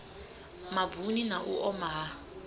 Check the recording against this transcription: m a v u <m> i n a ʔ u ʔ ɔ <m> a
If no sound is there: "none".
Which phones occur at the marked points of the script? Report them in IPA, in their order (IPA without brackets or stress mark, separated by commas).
n, m